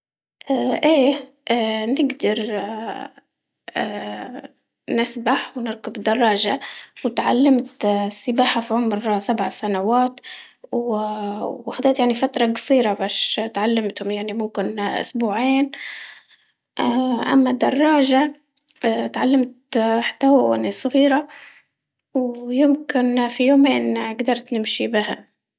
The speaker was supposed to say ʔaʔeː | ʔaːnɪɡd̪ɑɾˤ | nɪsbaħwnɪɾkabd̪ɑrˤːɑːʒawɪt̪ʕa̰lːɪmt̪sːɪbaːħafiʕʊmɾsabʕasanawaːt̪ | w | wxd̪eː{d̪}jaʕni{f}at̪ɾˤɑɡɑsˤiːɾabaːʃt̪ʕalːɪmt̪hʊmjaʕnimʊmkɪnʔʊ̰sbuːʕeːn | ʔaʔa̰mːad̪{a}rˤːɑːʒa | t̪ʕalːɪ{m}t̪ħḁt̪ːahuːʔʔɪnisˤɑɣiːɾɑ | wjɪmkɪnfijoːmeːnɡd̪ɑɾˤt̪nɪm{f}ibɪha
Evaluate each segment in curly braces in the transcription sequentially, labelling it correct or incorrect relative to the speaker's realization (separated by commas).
incorrect, correct, incorrect, correct, incorrect